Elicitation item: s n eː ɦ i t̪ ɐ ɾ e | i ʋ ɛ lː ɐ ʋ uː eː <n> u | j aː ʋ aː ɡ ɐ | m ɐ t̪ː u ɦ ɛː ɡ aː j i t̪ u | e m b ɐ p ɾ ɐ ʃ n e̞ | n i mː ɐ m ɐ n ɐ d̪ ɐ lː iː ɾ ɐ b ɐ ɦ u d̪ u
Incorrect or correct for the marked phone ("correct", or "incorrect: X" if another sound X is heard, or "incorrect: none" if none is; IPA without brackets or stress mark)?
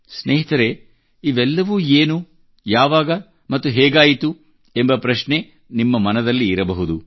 correct